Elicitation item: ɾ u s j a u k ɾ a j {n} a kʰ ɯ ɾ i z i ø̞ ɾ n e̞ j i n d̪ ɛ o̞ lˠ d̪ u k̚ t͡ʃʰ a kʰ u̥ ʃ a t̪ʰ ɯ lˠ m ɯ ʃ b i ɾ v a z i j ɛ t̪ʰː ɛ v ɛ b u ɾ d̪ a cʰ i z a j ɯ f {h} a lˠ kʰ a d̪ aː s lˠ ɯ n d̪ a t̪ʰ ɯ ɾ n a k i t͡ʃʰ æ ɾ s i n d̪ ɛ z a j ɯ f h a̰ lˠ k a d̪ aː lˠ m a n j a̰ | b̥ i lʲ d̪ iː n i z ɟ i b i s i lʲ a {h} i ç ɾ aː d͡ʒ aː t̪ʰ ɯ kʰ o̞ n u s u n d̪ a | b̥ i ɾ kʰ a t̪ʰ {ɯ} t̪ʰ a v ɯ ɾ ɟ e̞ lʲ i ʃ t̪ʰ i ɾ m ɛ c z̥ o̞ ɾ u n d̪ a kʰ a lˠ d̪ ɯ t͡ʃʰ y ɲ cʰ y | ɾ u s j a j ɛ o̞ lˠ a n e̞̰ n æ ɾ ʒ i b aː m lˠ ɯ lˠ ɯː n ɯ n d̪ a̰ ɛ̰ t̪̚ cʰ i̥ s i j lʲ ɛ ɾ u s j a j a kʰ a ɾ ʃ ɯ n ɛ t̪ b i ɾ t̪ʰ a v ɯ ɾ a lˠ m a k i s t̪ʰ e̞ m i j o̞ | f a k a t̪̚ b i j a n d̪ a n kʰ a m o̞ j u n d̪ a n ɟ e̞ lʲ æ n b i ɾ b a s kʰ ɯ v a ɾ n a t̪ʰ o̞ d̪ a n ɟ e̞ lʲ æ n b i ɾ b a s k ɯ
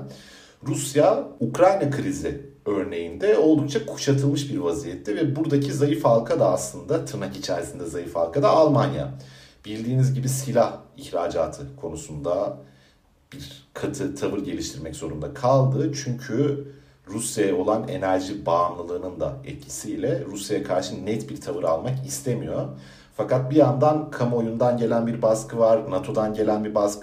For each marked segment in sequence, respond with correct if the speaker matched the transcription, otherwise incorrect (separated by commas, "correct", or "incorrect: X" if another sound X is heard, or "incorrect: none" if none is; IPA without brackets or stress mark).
correct, correct, correct, correct